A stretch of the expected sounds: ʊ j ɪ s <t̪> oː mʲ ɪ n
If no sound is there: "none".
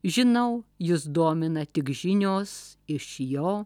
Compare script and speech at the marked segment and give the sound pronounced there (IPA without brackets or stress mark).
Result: d̪